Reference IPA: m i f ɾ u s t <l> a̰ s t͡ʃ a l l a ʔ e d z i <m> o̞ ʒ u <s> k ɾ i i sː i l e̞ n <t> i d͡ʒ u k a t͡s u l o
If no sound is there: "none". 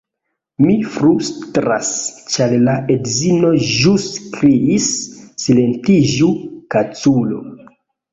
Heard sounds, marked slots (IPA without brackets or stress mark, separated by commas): ɾ, n, s, t